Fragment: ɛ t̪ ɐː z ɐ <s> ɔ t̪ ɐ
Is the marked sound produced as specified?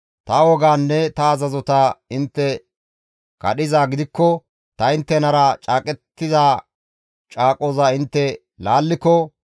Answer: no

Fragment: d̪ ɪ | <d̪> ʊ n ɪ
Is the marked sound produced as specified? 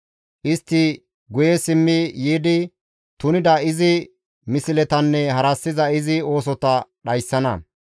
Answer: no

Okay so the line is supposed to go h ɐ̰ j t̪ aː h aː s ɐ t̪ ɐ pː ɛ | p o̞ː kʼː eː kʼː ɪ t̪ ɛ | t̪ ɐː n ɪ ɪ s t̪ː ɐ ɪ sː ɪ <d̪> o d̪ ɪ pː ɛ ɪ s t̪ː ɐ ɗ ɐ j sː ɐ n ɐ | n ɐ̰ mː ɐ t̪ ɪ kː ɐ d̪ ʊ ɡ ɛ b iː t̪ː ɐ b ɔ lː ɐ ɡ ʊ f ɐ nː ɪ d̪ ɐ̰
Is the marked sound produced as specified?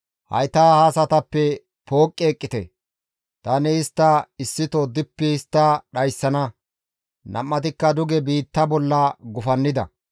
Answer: no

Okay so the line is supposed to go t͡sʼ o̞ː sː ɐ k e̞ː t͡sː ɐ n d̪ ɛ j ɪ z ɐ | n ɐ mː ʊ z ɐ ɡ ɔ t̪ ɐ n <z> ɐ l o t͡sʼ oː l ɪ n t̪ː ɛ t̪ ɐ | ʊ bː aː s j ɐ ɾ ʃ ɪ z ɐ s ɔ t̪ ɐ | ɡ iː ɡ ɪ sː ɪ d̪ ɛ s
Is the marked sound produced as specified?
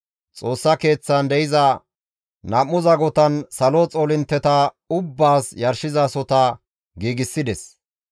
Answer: no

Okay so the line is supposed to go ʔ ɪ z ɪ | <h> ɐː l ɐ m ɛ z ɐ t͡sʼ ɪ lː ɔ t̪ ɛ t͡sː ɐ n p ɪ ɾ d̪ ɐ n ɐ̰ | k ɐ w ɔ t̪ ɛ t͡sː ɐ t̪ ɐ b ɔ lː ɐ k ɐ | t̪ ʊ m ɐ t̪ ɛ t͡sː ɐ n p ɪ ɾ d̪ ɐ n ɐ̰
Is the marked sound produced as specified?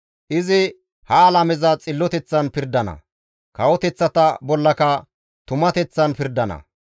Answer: yes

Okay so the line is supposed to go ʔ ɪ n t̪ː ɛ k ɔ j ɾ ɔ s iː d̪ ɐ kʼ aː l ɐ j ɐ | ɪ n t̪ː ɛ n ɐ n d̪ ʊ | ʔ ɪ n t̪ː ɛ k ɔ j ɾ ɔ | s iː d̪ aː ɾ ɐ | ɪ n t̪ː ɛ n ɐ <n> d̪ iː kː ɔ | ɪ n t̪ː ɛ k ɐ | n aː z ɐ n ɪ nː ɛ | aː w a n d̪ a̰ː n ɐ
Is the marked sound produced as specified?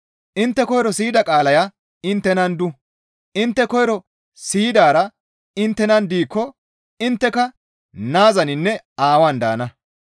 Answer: yes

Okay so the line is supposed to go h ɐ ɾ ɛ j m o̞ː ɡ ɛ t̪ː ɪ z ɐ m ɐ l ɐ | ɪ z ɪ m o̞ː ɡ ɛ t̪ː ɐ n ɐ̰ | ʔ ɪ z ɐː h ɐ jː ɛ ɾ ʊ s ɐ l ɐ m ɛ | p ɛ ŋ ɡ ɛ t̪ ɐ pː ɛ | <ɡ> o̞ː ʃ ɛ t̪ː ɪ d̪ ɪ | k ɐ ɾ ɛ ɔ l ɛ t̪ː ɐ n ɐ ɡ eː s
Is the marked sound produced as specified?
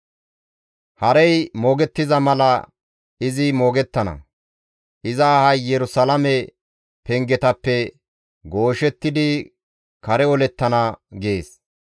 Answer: yes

